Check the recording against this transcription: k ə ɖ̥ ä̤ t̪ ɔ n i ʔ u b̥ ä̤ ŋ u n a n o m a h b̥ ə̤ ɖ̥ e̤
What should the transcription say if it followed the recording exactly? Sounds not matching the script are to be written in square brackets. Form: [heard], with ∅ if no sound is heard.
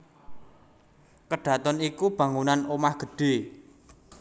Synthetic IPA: k ə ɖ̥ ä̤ t̪ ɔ n i [k] u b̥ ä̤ ŋ u n a n o m a h [ɡ̥] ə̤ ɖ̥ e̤